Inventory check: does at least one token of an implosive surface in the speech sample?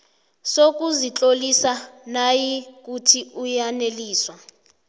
no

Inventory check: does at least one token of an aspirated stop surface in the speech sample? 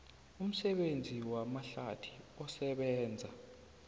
yes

